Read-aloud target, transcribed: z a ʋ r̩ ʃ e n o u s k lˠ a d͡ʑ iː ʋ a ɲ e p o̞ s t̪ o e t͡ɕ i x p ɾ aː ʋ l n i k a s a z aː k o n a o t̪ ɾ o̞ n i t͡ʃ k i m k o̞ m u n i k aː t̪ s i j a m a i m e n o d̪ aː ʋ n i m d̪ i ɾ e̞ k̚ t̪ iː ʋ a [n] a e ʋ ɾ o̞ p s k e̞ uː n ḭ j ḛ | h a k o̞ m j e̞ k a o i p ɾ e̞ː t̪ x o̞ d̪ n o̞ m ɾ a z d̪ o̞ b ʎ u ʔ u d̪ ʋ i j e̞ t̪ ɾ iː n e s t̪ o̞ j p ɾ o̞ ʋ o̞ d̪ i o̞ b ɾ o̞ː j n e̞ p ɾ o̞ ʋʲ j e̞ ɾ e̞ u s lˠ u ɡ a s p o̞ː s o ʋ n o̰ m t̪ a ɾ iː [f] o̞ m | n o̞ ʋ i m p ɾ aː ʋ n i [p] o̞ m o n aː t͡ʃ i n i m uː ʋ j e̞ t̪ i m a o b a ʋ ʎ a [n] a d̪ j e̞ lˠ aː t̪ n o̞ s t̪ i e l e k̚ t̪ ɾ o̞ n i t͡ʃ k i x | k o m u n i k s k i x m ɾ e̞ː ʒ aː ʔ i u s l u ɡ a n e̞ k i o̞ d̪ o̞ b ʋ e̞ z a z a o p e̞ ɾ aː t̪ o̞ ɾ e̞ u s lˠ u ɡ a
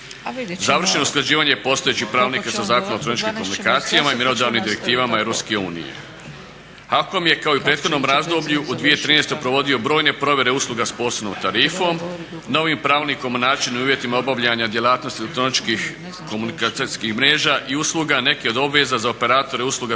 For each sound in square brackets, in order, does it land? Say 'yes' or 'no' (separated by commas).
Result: no, yes, no, no